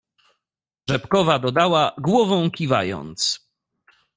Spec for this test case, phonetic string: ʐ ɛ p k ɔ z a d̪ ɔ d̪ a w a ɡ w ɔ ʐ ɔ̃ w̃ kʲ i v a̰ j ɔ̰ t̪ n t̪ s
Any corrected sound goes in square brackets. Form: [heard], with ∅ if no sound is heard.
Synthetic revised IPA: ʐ ɛ p k ɔ [v] a d̪ ɔ d̪ a w a ɡ w ɔ [v] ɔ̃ w̃ kʲ i v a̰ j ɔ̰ [∅] n t̪ s